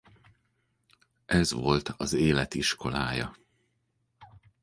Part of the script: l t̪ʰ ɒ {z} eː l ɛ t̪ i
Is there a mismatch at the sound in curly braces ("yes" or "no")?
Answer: no